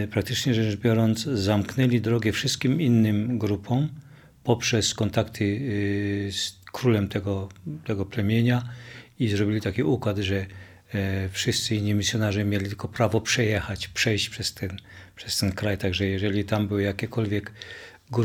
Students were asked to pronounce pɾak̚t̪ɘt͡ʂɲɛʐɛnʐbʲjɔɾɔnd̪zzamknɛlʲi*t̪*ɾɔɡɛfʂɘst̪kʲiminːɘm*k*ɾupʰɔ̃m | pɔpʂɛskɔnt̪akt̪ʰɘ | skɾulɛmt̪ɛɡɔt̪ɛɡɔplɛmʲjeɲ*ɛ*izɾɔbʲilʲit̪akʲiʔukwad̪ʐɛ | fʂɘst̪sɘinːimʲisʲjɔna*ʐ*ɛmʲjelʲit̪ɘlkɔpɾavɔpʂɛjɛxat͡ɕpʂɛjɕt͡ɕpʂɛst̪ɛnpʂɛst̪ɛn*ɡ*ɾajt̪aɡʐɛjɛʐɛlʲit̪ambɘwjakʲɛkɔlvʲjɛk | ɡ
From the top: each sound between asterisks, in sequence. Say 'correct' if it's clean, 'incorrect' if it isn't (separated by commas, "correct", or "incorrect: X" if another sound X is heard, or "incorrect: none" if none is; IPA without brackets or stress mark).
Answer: incorrect: d̪, incorrect: ɡ, incorrect: a, correct, incorrect: k